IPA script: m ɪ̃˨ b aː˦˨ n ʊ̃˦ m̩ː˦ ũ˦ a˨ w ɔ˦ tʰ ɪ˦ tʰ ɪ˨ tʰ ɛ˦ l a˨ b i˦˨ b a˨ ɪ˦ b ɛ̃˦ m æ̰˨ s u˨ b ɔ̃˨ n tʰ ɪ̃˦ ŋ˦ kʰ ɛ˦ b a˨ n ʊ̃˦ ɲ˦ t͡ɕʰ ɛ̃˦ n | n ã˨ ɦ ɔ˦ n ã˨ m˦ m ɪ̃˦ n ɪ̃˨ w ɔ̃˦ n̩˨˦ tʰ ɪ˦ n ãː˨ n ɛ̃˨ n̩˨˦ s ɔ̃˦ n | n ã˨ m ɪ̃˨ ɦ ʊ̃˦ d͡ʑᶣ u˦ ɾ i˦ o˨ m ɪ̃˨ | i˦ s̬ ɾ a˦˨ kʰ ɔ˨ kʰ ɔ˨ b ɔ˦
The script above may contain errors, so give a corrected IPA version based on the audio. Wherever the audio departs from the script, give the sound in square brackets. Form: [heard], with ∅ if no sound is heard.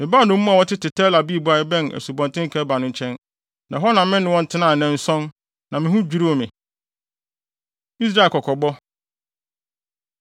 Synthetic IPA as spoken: m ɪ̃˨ b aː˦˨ n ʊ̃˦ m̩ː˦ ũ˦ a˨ w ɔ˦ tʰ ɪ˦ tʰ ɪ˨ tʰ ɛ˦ l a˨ b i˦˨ b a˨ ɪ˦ b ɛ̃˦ [n] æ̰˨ s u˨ b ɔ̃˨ n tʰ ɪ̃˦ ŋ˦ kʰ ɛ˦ b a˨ n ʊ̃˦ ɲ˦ t͡ɕʰ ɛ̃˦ n | n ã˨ ɦ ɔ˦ n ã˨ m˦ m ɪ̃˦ n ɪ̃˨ w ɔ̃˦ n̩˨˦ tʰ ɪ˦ n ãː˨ n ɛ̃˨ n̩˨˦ s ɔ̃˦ n | n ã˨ m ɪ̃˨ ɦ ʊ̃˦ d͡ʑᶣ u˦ ɾ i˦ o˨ m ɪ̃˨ | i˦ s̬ ɾ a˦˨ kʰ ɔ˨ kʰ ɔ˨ b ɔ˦